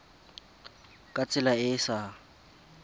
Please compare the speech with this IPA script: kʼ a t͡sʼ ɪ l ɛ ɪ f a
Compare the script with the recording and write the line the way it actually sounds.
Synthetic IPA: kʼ a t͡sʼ ɪ l a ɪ s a